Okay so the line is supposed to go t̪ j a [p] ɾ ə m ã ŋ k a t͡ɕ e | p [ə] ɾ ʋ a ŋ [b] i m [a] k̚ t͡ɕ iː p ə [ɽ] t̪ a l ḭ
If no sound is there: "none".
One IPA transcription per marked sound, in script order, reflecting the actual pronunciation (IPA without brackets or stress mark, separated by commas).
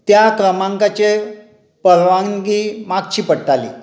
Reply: k, ə, ɡ, a, ɽ